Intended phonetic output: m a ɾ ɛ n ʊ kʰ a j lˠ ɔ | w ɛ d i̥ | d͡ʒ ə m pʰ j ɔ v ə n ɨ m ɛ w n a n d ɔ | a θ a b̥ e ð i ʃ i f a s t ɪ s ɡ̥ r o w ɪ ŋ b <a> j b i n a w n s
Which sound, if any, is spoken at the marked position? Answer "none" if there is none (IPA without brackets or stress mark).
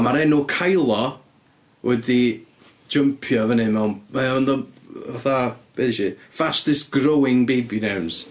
e